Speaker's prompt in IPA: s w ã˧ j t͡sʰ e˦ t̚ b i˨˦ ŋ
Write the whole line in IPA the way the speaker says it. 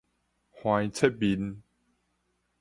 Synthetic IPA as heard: h w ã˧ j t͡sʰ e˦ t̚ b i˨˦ n